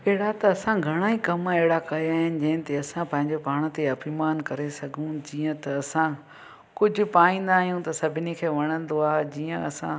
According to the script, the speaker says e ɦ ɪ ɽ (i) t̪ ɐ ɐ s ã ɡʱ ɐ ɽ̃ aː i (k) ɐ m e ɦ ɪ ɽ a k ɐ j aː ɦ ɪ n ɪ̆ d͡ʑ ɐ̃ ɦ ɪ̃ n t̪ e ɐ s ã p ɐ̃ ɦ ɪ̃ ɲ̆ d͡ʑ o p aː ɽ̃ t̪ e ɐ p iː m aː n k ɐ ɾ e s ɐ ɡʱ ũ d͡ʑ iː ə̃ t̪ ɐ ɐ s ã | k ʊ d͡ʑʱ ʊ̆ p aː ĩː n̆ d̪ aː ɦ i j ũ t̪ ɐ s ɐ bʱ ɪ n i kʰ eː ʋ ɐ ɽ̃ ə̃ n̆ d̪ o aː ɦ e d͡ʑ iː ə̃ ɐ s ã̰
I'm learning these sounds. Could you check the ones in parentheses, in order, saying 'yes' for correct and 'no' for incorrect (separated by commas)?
no, yes